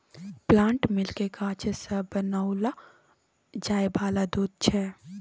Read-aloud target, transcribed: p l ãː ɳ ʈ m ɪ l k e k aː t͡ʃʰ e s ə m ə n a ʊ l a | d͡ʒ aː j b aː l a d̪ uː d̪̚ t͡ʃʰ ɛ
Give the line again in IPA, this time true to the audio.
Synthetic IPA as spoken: p l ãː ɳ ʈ m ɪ l k e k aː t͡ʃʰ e s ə b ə n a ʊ l a | d͡ʒ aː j b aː l a d̪ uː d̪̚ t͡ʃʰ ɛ